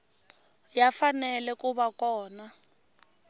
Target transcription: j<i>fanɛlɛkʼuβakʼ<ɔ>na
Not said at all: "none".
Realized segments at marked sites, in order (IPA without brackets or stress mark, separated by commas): a, ɔː